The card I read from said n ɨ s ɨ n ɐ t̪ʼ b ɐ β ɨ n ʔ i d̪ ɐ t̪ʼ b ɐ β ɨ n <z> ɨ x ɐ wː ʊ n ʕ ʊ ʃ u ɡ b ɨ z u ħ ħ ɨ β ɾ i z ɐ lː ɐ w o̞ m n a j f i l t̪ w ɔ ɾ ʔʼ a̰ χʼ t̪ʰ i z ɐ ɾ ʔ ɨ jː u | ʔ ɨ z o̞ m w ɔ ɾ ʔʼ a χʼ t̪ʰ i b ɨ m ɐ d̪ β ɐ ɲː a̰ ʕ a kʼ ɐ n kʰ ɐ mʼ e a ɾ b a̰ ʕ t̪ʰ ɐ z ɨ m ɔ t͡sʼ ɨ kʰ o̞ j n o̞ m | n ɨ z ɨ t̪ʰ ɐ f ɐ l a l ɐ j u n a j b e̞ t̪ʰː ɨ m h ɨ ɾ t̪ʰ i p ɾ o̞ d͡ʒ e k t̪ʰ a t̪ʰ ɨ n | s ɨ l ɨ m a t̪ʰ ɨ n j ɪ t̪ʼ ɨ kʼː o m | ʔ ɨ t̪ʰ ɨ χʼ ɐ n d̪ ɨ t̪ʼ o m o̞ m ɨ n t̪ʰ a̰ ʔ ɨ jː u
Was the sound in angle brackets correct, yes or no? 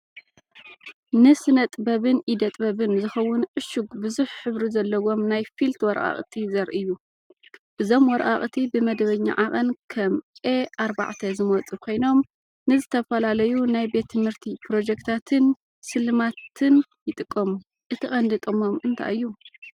yes